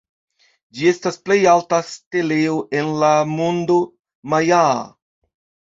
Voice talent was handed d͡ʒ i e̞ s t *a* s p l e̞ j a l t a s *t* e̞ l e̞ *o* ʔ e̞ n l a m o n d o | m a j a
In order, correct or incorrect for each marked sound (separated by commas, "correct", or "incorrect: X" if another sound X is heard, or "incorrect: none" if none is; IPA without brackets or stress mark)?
correct, correct, correct